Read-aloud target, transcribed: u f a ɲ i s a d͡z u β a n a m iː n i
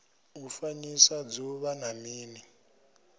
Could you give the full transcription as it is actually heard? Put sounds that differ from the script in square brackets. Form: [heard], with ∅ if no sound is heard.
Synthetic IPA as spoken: u f a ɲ i s a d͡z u β a n a m iː n i